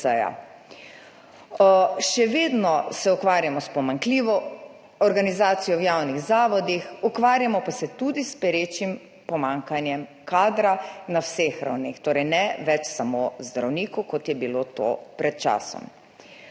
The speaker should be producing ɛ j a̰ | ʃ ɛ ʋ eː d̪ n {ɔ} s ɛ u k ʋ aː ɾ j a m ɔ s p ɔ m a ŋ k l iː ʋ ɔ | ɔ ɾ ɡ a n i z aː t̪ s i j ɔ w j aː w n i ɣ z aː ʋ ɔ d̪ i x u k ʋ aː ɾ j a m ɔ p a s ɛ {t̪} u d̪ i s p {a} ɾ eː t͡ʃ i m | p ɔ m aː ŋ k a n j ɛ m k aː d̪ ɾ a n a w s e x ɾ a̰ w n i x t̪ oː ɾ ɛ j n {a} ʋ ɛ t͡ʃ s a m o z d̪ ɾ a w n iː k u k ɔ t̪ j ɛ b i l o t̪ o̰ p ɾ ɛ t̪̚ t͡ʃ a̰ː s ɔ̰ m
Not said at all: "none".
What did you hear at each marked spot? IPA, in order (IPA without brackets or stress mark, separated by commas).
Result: ɔ, t̪, ɛ, ɛ